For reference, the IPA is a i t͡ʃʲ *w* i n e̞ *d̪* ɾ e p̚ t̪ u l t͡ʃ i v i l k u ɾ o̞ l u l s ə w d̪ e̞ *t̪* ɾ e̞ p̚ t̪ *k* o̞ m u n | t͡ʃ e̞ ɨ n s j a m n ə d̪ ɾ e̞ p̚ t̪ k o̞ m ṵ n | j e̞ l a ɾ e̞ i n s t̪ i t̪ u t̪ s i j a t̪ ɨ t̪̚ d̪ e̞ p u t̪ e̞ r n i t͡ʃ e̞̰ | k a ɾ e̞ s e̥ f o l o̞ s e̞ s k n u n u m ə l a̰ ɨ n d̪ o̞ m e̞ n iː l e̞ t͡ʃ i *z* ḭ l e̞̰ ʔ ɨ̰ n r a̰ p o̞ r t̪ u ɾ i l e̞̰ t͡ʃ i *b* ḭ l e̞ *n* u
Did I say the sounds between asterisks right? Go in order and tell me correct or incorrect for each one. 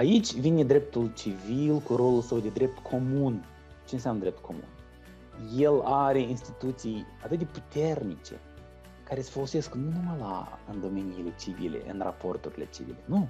incorrect: v, correct, incorrect: d̪, incorrect: kʰ, incorrect: v, incorrect: v, correct

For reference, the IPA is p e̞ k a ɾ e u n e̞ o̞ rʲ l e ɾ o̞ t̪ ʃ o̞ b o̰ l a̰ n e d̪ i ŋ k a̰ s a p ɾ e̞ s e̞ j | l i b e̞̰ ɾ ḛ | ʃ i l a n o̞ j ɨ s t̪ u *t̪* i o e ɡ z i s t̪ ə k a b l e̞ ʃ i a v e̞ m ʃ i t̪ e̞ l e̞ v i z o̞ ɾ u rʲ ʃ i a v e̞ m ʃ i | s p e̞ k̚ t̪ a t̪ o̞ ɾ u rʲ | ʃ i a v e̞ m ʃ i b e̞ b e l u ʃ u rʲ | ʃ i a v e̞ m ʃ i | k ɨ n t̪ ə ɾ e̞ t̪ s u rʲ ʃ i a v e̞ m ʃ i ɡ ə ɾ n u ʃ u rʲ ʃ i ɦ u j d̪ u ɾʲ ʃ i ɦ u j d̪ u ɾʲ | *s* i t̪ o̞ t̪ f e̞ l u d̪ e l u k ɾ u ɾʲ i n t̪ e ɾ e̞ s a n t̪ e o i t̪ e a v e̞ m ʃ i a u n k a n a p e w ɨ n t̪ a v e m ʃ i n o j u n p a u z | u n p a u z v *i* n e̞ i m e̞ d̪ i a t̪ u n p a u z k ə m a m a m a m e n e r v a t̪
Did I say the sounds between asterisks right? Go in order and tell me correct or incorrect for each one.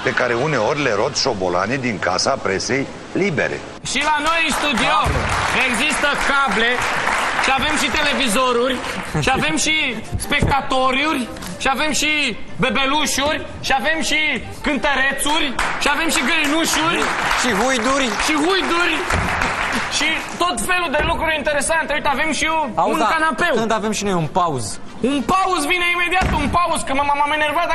incorrect: d̪, incorrect: ʃ, correct

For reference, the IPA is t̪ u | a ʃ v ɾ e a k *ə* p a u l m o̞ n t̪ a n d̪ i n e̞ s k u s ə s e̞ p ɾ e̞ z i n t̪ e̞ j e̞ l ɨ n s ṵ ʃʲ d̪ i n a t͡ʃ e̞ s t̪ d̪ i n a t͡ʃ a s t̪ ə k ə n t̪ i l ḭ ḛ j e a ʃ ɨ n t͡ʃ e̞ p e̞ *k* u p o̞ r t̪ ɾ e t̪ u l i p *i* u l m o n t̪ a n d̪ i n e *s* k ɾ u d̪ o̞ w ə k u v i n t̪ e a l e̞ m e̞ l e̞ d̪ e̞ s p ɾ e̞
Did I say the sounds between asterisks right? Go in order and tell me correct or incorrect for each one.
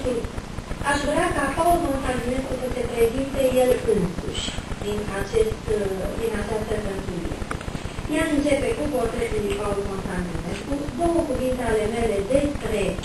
incorrect: a, correct, incorrect: a, correct

